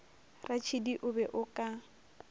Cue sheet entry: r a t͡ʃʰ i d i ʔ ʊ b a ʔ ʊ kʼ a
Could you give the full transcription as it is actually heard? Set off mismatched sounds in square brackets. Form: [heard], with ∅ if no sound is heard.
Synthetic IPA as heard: r a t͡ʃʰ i d i ʔ ʊ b [ɛ] ʔ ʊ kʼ a